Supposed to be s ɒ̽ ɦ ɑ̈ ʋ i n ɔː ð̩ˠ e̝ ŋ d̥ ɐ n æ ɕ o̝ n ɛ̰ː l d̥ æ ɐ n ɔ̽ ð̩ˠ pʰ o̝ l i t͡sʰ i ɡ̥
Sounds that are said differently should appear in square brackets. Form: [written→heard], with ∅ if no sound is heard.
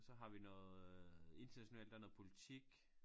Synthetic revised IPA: s ɒ̽ ɦ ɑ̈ ʋ i n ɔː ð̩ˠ e̝ [ŋ→n] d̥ ɐ n æ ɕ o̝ n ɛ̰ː l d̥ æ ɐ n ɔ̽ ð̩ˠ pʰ o̝ l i t͡sʰ i ɡ̥